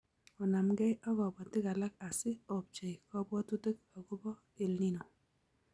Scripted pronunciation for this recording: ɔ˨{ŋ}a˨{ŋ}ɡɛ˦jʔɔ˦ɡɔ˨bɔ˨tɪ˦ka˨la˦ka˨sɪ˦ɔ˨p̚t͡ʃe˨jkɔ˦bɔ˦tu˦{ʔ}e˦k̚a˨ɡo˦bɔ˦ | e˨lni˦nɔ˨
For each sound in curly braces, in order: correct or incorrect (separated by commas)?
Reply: incorrect, incorrect, incorrect